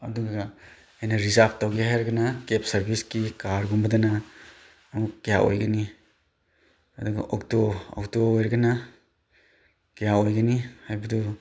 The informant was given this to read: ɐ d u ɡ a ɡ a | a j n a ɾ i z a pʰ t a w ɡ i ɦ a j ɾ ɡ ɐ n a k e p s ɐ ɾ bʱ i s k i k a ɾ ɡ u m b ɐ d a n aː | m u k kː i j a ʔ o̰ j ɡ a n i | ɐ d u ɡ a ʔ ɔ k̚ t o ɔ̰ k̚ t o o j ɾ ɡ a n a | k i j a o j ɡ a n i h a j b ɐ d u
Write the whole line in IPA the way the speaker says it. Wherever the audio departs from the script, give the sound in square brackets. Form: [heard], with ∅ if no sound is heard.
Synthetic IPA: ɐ d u ɡ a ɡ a | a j n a ɾ i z a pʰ t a w ɡ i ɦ a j ɾ ɡ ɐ n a k e p s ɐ ɾ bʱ i s k i k a ɾ ɡ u m b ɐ d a n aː | m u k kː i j a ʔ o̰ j ɡ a n i | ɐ d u ɡ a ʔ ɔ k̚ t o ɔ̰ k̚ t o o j ɾ ɡ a n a | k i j a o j ɡ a n i h a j b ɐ d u